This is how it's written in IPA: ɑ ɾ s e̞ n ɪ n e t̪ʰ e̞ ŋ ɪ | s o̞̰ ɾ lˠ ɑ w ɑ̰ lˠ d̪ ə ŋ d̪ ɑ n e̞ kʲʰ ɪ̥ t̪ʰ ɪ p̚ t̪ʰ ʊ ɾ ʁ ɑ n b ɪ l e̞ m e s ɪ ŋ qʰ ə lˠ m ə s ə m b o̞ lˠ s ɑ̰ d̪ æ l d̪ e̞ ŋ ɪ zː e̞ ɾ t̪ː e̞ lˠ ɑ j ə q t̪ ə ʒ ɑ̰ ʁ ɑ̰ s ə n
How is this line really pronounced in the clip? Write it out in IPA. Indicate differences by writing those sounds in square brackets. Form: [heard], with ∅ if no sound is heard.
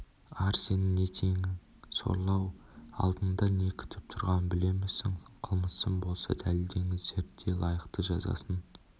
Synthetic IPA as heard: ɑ ɾ s e̞ n ɪ n e t̪ʰ e̞ ŋ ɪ | s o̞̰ ɾ lˠ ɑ w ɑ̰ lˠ d̪ ə [n] d̪ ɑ n e̞ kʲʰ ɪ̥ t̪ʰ ɪ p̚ t̪ʰ ʊ ɾ ʁ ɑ n b ɪ l e̞ m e s ɪ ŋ qʰ ə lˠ m ə s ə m b o̞ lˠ s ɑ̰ d̪ æ l d̪ e̞ ŋ ɪ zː e̞ ɾ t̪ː e̞ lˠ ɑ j ə q t̪ ə ʒ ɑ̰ [z] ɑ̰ s ə n